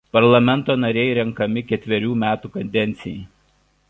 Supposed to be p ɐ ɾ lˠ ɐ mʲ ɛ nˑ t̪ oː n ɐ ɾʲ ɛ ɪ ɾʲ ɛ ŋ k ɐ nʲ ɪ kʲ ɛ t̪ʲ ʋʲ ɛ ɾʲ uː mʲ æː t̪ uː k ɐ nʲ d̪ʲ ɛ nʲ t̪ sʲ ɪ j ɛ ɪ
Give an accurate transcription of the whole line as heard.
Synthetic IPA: p ɐ ɾ lˠ ɐ mʲ ɛ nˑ t̪ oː n ɐ ɾʲ ɛ ɪ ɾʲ ɛ ŋ k ɐ mʲ ɪ kʲ ɛ t̪ʲ ʋʲ ɛ ɾʲ uː mʲ æː t̪ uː k ɐ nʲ d̪ʲ ɛ nʲ t̪ sʲ ɪ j ɛ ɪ